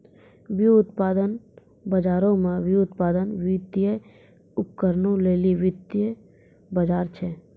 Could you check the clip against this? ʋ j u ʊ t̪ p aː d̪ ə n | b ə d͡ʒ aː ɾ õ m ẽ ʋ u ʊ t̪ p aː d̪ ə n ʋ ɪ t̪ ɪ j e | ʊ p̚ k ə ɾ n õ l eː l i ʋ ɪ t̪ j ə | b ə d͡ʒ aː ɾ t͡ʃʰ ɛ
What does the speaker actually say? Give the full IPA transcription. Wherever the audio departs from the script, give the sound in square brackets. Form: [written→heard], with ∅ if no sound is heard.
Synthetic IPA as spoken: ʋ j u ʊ t̪ p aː d̪ ə n | b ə d͡ʒ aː ɾ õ m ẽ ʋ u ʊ t̪ p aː d̪ ə n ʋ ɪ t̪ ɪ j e | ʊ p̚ k ə ɾ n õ l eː l i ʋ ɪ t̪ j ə | b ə d͡ʒ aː ɾ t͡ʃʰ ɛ